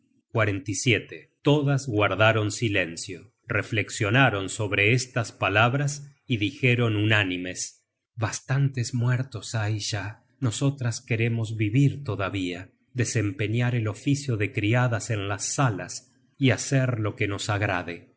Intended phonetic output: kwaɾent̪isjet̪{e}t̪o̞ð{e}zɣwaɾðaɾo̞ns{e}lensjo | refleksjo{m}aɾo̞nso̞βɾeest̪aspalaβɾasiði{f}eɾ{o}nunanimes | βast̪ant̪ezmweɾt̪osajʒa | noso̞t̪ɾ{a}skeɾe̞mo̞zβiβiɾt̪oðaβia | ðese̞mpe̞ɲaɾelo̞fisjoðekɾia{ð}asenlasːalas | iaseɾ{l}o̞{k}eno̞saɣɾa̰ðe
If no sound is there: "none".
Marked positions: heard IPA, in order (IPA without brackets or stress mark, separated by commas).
e, a, i, n, x, o, a, ð, l, k